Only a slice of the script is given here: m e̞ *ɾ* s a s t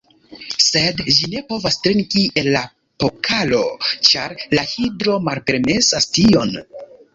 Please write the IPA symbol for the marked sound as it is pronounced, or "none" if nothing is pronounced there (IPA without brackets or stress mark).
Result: none